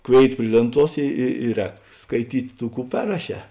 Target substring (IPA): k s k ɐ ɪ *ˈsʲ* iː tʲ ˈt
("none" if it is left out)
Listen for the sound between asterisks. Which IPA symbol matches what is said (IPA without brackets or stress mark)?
tʲ